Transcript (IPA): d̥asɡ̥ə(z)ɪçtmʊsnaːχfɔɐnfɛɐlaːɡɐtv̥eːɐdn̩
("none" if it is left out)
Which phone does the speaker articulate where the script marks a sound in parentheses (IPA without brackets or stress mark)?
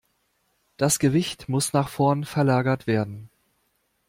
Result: v